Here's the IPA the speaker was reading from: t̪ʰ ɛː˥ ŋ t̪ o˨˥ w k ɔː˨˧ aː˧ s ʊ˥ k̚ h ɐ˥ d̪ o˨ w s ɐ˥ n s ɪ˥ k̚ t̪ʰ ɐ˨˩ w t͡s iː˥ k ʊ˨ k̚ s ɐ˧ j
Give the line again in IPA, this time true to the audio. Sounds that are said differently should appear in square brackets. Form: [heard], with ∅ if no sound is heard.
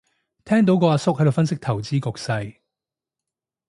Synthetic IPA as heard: t̪ʰ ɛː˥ ŋ t̪ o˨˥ w k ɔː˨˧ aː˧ s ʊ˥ k̚ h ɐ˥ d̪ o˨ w [f] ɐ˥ n s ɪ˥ k̚ t̪ʰ ɐ˨˩ w t͡s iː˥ k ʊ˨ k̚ s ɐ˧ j